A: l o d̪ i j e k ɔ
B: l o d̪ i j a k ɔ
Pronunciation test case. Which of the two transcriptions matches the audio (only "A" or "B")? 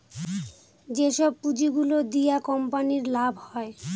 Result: B